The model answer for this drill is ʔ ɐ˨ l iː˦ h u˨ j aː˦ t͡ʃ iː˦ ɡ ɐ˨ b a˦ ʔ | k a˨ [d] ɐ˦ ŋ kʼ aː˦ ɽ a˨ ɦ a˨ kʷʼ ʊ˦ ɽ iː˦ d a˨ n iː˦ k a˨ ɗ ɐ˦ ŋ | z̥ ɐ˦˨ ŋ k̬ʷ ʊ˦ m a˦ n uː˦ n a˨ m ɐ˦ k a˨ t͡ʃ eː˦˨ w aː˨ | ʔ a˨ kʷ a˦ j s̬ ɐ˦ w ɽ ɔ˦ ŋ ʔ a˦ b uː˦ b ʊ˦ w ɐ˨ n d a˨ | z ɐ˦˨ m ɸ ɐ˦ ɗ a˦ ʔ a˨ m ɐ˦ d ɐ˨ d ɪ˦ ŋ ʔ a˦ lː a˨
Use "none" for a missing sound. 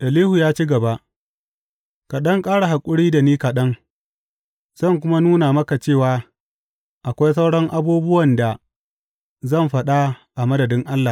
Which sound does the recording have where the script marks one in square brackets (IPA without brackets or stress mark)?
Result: ɗ